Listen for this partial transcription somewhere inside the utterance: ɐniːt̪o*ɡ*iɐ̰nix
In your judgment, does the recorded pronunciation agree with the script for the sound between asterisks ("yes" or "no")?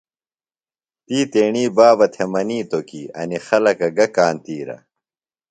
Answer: no